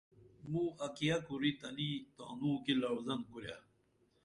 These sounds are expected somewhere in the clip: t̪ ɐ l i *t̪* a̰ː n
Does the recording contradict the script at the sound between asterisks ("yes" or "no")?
no